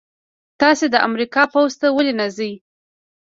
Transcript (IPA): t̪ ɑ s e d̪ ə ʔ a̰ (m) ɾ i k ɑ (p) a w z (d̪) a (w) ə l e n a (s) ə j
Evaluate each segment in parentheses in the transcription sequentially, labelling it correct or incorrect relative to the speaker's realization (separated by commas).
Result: correct, correct, incorrect, correct, incorrect